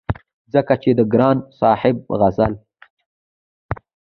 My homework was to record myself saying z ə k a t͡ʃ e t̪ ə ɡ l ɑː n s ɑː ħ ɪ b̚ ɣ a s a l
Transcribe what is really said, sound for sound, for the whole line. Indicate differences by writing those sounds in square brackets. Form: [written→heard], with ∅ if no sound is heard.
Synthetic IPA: z ə k a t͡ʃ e [t̪→d̪] ə ɡ [l→ɾ] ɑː n s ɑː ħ ɪ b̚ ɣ a [s→z] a l